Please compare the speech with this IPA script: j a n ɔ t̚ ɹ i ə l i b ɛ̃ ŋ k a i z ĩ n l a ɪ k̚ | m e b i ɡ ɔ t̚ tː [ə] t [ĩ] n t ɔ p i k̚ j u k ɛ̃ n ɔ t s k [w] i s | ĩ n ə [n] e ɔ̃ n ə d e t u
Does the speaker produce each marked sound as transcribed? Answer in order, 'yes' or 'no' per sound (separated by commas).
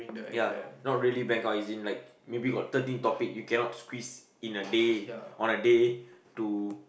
yes, yes, yes, no